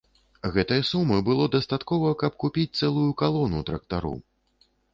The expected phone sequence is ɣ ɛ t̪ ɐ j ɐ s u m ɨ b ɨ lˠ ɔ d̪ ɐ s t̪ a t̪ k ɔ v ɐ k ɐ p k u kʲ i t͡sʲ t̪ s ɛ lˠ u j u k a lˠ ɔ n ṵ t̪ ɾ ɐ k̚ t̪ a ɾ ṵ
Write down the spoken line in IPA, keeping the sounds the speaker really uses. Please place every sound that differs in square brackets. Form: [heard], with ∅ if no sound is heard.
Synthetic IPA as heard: ɣ ɛ t̪ ɐ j ɐ s u m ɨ b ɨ lˠ ɔ d̪ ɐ s t̪ a t̪ k ɔ v ɐ k ɐ p k u [pʲ] i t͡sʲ t̪ s ɛ lˠ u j u k a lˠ ɔ n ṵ t̪ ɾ ɐ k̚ t̪ a ɾ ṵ